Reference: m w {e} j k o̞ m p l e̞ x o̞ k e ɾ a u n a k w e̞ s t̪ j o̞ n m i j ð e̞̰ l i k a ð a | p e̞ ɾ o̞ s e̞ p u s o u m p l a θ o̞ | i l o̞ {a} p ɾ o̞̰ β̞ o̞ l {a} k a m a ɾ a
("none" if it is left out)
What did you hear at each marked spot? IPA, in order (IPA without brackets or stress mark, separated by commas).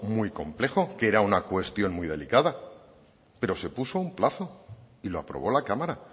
i, a, a